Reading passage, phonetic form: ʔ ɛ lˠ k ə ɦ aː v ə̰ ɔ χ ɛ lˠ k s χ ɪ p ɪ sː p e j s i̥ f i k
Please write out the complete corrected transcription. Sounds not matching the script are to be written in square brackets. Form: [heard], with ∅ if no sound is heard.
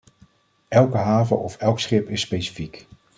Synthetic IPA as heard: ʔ ɛ lˠ k ə ɦ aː v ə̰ ɔ [f] ɛ lˠ k s χ ɪ p ɪ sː p e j s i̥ f i k